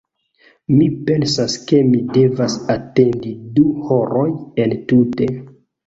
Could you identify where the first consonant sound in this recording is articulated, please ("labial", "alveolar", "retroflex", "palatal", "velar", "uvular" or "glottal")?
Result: labial